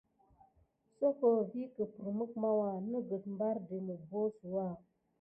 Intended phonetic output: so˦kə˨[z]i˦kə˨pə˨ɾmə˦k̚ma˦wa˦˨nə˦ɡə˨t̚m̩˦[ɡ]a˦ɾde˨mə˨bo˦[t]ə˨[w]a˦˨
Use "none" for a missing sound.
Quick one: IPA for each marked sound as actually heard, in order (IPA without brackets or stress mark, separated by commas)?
v, b, s, w